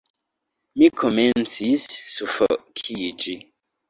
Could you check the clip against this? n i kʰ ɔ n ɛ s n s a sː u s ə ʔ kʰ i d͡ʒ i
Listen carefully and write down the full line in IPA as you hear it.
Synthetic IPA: m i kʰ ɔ m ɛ n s i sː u f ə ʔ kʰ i d͡ʒ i